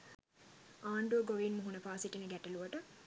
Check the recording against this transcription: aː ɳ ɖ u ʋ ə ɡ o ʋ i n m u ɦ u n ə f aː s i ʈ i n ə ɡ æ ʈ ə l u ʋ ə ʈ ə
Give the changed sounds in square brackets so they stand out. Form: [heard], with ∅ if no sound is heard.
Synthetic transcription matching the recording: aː ɳ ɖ u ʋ ə ɡ o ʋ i n m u ɦ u n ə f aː s i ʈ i n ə ɡ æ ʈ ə l u ʋ ə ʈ ə